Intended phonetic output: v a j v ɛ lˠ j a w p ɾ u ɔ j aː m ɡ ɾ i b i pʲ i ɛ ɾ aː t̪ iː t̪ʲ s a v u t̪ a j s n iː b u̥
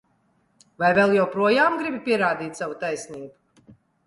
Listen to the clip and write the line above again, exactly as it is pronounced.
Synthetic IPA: v a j v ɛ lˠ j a w p ɾ u ɔ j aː m ɡ ɾ i b i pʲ i ɛ ɾ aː d̪ iː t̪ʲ s a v u t̪ a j s n iː b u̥

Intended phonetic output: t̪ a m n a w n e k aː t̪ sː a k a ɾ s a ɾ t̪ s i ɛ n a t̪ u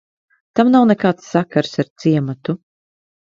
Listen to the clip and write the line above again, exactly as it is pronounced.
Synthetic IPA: t̪ a m n a w n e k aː t̪ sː a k a ɾ s a ɾ t̪ s i ɛ m a t̪ u

